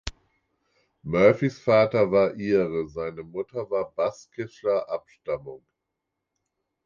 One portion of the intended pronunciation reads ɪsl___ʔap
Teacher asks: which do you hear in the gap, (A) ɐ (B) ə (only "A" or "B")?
A